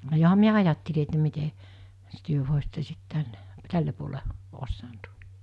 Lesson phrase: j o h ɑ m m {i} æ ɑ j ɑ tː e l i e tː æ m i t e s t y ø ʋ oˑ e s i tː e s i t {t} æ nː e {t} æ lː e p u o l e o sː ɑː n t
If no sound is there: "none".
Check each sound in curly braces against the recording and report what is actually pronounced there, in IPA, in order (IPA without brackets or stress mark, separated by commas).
i, t, t